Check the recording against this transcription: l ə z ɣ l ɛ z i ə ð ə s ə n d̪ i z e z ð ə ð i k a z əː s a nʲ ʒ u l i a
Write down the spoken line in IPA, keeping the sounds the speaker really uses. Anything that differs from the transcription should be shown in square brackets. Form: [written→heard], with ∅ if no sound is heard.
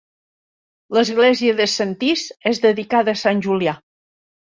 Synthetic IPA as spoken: l ə z ɣ l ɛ z i ə ð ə s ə n [d̪→t̪] i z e z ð ə ð i k a [z→ð] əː s a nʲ ʒ u l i a